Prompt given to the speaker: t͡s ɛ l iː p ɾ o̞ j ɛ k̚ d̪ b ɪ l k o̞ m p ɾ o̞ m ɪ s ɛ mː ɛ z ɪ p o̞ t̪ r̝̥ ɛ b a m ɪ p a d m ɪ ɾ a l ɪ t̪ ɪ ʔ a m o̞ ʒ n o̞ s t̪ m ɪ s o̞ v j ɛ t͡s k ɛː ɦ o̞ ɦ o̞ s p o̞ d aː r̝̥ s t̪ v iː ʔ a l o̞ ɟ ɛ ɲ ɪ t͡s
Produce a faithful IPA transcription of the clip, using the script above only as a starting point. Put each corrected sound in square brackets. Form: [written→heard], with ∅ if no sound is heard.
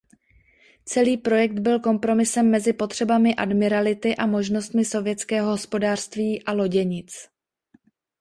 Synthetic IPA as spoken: t͡s ɛ l iː p ɾ o̞ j ɛ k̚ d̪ b ɪ l k o̞ m p ɾ o̞ m ɪ s ɛ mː ɛ z ɪ p o̞ t̪ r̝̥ ɛ b a m ɪ [p→ʔ] a d m ɪ ɾ a l ɪ t̪ ɪ ʔ a m o̞ ʒ n o̞ s t̪ m ɪ s o̞ v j ɛ t͡s k ɛː ɦ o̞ ɦ o̞ s p o̞ d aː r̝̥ s t̪ v iː ʔ a l o̞ ɟ ɛ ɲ ɪ t͡s